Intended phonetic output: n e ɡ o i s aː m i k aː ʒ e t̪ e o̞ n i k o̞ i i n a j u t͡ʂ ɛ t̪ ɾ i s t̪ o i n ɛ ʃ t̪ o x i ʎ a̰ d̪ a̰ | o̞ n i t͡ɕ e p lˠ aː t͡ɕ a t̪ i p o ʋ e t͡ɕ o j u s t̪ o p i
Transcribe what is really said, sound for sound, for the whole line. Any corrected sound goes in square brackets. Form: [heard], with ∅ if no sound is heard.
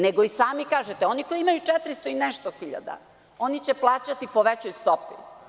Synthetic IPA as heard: n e ɡ o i s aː m i k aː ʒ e t̪ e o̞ n i k o̞ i i [m] a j u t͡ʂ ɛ t̪ ɾ i s t̪ o i n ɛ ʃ t̪ o x i ʎ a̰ d̪ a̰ | o̞ n i t͡ɕ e p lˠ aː t͡ɕ a t̪ i p o ʋ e t͡ɕ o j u s t̪ o p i